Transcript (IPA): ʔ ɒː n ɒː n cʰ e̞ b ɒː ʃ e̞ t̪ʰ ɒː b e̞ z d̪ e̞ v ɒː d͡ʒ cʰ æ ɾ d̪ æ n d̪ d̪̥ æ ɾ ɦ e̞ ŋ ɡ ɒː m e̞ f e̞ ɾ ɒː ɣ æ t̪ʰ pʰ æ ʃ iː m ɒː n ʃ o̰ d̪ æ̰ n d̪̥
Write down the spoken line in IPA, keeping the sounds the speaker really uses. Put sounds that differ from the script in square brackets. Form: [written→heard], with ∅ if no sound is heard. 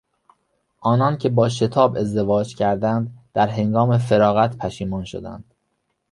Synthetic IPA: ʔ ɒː n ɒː n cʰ e̞ b ɒː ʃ e̞ t̪ʰ ɒː b e̞ z d̪ e̞ v ɒː d͡ʒ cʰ æ ɾ d̪ æ n d̪ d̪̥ æ ɾ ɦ e̞ ŋ ɡ ɒː m e̞ f e̞ ɾ ɒː ɣ æ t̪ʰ pʰ æ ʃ iː m ɒː n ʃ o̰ d̪ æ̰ n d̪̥